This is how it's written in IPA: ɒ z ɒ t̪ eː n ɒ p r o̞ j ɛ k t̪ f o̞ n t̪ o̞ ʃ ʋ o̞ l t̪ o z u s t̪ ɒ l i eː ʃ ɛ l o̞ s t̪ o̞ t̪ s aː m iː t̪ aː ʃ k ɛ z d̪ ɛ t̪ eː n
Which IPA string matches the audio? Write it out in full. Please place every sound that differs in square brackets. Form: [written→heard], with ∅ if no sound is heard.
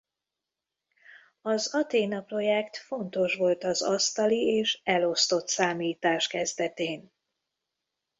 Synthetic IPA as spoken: ɒ z ɒ t̪ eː n ɒ p r o̞ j ɛ k t̪ f o̞ n t̪ o̞ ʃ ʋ o̞ l t̪ [o→ɒ] z [u→ɒ] s t̪ ɒ l i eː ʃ ɛ l o̞ s t̪ o̞ t̪ s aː m iː t̪ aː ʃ k ɛ z d̪ ɛ t̪ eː n